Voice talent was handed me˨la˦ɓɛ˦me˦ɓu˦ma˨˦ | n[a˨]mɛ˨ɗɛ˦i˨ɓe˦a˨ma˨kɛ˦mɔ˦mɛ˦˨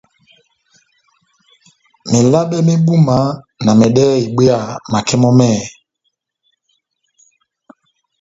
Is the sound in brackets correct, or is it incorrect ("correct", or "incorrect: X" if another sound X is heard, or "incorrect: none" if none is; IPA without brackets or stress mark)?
correct